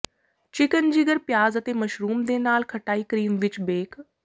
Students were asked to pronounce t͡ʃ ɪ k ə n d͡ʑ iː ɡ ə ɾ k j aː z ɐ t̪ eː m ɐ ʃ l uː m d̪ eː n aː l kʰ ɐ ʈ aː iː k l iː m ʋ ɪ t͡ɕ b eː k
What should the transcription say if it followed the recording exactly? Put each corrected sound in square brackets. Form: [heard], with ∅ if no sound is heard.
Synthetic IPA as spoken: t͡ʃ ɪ k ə n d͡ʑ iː ɡ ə ɾ [p] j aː z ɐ t̪ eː m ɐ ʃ [ɾ] uː m d̪ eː n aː l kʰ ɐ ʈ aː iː k [ɾ] iː m ʋ ɪ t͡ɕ b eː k